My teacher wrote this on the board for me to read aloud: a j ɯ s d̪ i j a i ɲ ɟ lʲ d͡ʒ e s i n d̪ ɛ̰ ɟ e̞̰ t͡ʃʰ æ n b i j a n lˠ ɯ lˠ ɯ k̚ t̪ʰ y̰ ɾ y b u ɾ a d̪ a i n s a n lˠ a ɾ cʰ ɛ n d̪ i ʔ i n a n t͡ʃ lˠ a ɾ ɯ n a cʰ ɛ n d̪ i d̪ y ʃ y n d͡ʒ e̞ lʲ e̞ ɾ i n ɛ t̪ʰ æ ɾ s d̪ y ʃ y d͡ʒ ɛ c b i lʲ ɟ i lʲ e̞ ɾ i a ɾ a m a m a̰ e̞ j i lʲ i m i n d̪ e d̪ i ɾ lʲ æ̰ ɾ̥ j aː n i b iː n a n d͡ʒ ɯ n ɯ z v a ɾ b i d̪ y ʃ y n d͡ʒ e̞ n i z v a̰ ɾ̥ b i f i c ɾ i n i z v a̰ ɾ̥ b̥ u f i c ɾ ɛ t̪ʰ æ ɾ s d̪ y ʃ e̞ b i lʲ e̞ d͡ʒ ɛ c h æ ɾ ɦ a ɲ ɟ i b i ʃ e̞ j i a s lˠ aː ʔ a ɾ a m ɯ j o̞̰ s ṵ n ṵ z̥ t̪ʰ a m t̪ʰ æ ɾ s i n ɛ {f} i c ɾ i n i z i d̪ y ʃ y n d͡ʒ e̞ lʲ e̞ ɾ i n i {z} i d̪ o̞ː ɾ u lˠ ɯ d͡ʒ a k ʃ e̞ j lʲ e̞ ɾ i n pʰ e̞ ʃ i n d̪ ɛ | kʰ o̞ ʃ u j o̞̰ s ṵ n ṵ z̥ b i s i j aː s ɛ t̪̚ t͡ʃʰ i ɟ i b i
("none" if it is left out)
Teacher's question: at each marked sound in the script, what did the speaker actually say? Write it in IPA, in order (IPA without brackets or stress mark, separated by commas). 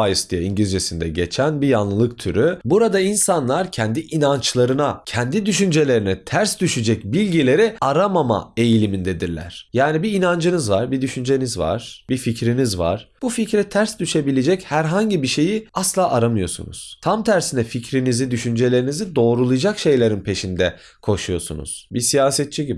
f, z